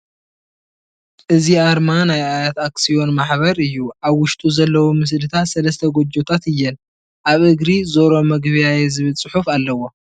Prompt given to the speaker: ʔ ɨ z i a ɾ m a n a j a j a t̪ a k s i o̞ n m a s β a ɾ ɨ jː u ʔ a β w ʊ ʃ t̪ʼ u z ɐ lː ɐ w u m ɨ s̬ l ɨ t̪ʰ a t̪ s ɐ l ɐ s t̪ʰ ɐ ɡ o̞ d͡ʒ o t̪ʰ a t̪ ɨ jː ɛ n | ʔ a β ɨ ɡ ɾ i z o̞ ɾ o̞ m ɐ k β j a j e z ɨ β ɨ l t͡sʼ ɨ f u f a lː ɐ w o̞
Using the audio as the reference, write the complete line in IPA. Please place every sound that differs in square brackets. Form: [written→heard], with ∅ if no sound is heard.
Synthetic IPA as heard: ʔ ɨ z i a ɾ m a n a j a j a t̪ a k s i o̞ n m a [s→ħ] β [a→ɐ] ɾ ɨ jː u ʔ a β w ʊ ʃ t̪ʼ u z ɐ lː ɐ w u m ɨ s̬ l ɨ t̪ʰ a t̪ s ɐ l ɐ s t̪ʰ ɐ ɡ o̞ d͡ʒ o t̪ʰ a t̪ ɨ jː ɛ n | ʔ a β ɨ ɡ ɾ i z o̞ ɾ o̞ m ɐ [k→ɡ] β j a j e z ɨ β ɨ l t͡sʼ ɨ [f→ħ] u f a lː ɐ w o̞